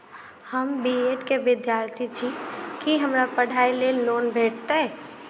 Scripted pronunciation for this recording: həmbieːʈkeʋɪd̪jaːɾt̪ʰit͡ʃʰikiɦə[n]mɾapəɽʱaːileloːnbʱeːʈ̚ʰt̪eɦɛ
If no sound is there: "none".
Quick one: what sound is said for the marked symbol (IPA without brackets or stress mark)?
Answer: none